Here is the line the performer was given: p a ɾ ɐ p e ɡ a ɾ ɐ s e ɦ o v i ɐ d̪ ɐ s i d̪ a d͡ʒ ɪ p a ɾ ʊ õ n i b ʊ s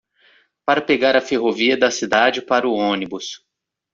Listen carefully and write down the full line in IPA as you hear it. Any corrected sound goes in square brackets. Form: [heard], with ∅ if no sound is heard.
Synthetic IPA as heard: p a ɾ ɐ p e ɡ a ɾ ɐ [f] e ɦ o v i ɐ d̪ ɐ s i d̪ a d͡ʒ ɪ p a ɾ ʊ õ n i b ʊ s